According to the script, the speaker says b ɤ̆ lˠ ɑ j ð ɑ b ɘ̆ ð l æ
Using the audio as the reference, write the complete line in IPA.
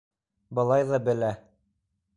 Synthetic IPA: b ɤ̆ lˠ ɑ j ð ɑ b ɘ̆ l æ